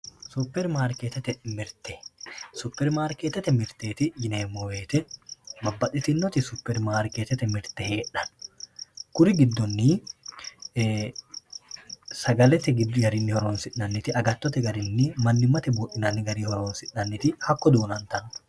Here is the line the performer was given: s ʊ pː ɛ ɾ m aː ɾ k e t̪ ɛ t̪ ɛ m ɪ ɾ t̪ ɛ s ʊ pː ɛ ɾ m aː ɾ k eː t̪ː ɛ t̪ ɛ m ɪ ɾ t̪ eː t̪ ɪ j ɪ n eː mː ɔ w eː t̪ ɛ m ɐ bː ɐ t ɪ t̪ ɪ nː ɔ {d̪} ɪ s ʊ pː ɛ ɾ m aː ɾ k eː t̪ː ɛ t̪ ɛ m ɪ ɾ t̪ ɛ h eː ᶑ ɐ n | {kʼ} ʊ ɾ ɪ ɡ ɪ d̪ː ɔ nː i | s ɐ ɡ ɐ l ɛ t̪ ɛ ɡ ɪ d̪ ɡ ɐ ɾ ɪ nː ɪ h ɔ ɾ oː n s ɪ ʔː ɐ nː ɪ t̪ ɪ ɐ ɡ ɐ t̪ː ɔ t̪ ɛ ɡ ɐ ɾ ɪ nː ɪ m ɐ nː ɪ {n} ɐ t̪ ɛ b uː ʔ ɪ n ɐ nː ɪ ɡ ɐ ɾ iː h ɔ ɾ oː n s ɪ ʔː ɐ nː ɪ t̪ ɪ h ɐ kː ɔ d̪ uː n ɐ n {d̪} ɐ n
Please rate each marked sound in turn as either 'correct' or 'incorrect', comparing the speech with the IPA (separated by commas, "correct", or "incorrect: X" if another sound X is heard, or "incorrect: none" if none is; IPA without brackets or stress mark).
incorrect: t̪, incorrect: k, incorrect: m, incorrect: t̪